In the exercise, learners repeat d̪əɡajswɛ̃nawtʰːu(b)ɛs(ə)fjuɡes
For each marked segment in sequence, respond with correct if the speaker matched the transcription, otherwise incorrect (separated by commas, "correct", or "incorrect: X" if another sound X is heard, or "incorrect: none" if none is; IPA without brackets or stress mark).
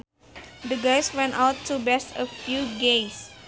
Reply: correct, correct